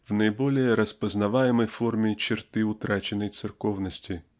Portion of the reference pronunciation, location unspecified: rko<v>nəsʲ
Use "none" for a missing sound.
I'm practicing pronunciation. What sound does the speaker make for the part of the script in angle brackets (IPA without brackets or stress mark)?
v